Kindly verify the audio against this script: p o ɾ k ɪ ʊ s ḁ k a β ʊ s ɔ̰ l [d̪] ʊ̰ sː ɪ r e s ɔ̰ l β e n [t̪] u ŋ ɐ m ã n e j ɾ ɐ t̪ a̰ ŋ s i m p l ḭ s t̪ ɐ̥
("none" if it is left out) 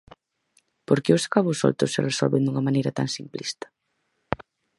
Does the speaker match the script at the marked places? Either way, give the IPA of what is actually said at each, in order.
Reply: t̪, d̪

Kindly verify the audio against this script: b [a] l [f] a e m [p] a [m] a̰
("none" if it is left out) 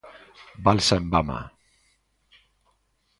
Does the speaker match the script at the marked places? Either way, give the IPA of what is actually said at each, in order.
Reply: a, s, b, m

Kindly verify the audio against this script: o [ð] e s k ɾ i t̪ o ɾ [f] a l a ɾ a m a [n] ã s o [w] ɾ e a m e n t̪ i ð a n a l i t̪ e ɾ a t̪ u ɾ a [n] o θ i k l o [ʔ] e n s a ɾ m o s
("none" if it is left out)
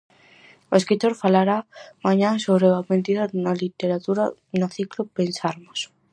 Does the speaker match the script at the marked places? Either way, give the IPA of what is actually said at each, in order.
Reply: none, f, ɲ, β, n, p

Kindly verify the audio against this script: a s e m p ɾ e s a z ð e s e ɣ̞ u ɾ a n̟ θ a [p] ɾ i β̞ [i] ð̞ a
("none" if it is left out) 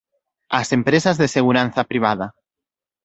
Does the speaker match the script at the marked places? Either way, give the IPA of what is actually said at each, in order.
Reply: p, a

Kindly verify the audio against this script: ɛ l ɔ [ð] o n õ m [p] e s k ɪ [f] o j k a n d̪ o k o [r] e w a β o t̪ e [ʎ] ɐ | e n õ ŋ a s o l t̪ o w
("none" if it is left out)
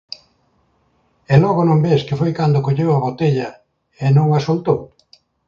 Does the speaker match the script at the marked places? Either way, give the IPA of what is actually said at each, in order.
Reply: ɣ, b, f, ʎ, ʎ

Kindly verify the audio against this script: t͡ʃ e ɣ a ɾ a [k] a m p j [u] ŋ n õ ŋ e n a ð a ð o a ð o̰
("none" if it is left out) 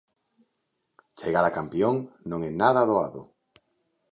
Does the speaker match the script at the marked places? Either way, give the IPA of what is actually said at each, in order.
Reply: k, o

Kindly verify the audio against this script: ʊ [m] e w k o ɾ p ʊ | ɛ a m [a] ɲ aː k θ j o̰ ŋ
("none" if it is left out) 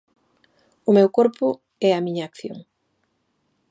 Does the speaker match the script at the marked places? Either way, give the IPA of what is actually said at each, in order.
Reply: m, i

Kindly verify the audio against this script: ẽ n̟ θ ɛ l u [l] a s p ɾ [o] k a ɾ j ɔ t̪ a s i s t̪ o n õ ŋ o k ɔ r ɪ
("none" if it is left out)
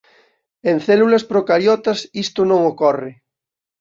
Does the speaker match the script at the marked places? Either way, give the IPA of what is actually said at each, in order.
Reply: l, o

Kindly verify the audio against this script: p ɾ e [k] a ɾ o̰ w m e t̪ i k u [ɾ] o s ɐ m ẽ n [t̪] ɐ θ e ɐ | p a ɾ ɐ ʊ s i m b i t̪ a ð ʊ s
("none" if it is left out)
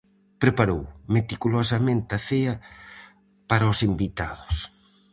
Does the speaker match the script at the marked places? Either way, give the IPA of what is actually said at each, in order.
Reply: p, l, t̪

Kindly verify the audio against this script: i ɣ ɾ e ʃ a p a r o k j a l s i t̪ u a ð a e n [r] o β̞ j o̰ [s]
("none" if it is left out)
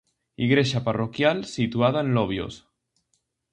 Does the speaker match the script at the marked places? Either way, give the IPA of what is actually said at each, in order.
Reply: l, s

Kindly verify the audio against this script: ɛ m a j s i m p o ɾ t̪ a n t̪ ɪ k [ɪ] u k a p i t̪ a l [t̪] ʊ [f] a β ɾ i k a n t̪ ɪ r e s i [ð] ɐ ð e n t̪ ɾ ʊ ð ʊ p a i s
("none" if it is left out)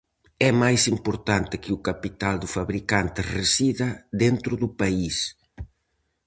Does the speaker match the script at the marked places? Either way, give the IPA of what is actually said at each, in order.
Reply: ɪ, d̪, f, ð

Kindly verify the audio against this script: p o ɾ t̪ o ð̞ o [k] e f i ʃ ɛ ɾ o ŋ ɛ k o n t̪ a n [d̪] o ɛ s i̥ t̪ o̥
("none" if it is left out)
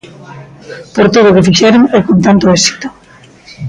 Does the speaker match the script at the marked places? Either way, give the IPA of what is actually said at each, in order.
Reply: k, t̪

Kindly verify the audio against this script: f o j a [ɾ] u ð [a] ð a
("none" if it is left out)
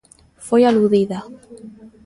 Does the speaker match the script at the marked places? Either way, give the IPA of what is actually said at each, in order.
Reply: l, i

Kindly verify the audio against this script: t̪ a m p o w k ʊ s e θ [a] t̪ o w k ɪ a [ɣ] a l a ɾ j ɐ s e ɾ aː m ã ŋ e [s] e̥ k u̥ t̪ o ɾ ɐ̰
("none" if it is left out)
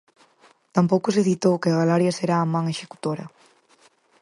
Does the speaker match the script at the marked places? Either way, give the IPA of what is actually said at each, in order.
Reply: i, ɣ, ʃ

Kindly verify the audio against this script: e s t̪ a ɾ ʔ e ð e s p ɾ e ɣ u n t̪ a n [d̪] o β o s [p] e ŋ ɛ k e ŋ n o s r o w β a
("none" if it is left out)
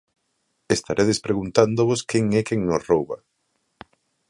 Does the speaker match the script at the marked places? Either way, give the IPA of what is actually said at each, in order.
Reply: d̪, k

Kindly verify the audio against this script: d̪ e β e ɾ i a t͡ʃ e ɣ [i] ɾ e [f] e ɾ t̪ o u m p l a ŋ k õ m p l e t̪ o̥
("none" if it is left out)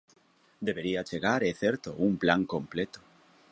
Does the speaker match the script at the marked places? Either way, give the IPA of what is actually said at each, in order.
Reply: a, θ

